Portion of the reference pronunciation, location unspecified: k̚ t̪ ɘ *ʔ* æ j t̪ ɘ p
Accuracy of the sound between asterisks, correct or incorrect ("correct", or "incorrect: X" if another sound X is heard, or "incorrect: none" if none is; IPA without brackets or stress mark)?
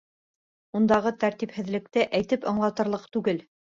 correct